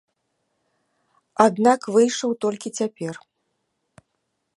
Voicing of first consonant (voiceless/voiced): voiced